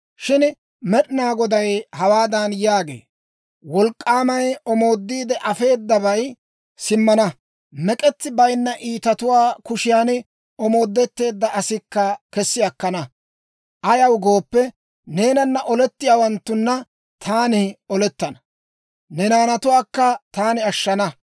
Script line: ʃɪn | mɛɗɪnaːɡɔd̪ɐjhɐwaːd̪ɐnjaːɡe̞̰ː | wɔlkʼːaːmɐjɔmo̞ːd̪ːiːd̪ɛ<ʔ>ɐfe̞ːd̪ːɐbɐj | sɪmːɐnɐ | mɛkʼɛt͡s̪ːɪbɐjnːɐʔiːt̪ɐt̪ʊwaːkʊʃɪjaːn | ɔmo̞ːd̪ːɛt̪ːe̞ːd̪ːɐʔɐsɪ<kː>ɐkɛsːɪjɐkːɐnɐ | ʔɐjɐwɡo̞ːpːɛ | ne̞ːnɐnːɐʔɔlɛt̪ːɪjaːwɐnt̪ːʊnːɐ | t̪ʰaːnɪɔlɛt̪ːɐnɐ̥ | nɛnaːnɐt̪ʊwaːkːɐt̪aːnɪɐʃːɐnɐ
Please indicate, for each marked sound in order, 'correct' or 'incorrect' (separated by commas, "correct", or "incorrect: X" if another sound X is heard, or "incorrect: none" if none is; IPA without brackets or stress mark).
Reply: correct, correct